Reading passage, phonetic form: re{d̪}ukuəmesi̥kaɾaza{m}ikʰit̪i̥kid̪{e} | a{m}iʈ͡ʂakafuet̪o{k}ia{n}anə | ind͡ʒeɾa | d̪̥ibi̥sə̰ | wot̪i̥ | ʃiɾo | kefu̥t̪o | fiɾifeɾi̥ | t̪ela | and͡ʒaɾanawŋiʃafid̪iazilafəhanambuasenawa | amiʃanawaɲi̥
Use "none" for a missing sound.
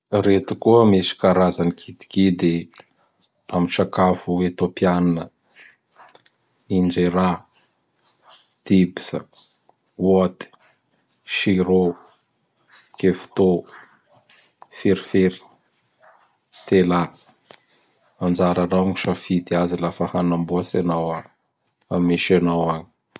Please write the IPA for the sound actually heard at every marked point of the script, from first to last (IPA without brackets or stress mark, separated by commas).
t̪, n, e, m, p, n